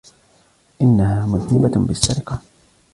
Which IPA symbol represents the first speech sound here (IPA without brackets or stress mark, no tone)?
ʔ